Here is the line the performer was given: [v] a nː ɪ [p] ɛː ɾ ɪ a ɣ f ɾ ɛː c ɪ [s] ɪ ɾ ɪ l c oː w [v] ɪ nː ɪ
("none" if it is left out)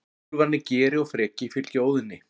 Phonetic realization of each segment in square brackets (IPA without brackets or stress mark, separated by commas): v, c, f, ð